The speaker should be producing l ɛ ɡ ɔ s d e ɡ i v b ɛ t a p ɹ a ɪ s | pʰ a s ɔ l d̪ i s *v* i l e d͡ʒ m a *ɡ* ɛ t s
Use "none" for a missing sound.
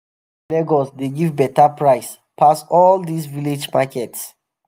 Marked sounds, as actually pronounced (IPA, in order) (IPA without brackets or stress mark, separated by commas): v, k